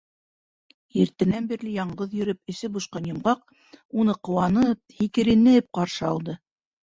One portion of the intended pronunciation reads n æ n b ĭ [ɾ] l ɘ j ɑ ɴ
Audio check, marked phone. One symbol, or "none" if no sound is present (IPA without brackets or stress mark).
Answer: ɾ